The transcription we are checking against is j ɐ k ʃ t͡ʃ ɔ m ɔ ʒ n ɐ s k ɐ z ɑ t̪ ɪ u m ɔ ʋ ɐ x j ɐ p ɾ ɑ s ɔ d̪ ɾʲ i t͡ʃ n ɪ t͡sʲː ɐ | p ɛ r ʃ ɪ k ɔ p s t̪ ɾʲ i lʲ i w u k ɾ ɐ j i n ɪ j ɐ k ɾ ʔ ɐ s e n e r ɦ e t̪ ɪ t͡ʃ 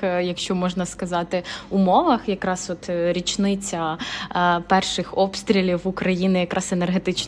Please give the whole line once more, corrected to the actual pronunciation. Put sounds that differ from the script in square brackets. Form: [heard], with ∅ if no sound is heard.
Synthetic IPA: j ɐ k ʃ t͡ʃ ɔ m ɔ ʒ n ɐ s k ɐ z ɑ t̪ ɪ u m ɔ ʋ ɐ x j ɐ [k] ɾ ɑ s ɔ [t̪] ɾʲ i t͡ʃ n ɪ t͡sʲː ɐ | p ɛ r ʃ ɪ [x] ɔ p s t̪ ɾʲ i lʲ i w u k ɾ ɐ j i n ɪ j ɐ k ɾ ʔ [ɑ] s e n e r ɦ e t̪ ɪ t͡ʃ